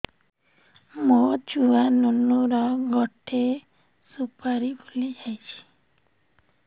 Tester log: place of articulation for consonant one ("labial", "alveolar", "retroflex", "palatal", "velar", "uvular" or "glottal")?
labial